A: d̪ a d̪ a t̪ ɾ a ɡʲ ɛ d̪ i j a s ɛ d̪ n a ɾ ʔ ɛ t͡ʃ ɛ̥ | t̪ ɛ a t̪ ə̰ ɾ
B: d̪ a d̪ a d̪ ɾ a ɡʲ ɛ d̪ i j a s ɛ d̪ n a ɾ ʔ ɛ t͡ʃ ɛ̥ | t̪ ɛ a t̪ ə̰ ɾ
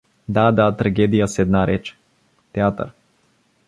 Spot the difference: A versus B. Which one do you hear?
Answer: A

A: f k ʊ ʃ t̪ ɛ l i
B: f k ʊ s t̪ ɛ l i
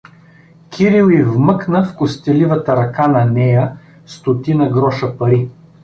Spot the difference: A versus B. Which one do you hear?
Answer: B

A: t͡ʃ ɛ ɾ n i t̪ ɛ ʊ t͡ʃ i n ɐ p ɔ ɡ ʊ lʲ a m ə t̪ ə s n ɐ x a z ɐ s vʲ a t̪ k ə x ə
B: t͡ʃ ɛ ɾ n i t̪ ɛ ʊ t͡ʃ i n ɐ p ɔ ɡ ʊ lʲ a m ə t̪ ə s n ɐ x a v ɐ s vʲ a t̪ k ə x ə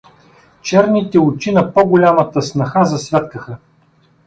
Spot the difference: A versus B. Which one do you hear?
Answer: A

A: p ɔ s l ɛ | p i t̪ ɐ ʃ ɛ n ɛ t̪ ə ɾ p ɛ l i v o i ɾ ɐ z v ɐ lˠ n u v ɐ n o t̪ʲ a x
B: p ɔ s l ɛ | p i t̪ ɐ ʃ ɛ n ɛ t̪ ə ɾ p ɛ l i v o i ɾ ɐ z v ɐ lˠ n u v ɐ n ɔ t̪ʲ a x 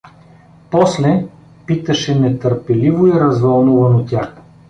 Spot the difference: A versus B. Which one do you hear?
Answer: A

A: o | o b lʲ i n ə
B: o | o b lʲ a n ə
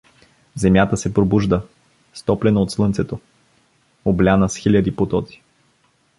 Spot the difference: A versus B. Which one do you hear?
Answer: B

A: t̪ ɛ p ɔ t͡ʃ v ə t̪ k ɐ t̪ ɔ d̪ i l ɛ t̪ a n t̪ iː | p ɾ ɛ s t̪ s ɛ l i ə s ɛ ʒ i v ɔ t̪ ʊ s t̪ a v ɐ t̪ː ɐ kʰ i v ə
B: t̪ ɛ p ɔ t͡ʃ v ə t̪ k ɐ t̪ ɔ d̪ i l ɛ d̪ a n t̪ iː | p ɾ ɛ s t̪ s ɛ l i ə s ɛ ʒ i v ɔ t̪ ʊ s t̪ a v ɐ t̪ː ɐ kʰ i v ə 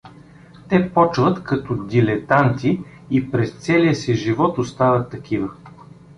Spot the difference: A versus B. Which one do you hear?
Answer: A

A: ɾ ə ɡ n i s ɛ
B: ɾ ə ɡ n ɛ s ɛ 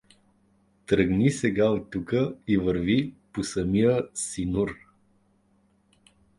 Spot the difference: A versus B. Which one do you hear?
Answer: A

